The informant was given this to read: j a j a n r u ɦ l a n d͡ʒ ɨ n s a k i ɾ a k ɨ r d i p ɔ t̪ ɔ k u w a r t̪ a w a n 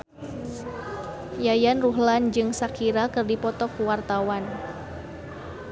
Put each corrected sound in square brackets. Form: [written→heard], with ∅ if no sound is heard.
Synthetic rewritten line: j a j a n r u ɦ l a n d͡ʒ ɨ [n→ŋ] s a k i ɾ a k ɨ r d i p ɔ t̪ ɔ k u w a r t̪ a w a n